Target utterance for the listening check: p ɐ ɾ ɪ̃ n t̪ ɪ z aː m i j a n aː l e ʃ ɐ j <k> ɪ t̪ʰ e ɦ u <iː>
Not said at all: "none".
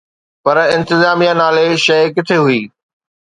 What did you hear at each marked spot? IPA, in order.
k, iː

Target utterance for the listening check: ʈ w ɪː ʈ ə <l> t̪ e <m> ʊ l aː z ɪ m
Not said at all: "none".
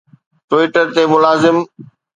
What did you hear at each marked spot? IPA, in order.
ɾ, m

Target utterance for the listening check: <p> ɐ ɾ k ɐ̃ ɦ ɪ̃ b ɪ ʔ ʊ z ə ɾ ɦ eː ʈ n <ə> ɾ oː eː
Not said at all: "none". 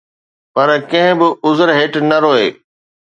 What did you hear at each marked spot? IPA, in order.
p, ɐ

